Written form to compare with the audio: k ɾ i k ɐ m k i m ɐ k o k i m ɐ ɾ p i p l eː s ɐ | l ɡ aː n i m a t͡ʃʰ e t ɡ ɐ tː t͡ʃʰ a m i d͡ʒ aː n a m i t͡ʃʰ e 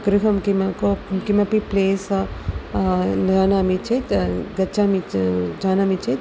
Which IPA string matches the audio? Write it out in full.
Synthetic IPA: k ɾ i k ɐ m k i m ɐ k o k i m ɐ p i p l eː s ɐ | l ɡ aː n a m i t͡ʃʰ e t ɡ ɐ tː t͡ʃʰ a m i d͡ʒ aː n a m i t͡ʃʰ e